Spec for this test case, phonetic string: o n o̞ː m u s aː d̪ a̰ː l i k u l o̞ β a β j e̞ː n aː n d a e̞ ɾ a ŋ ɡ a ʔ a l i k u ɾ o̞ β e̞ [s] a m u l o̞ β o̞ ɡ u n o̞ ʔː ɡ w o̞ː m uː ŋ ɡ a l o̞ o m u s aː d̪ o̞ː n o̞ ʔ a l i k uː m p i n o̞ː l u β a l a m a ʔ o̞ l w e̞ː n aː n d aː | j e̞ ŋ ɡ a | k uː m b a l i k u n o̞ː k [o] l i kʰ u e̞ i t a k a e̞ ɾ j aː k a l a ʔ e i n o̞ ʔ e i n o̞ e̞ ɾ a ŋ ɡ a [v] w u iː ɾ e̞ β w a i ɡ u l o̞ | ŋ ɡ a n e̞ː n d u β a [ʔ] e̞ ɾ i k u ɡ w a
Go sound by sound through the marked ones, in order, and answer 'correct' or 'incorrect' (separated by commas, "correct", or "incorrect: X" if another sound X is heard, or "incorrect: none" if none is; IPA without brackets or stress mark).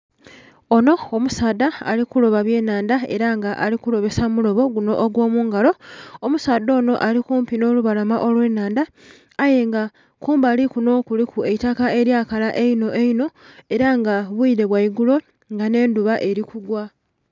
correct, incorrect: u, incorrect: β, correct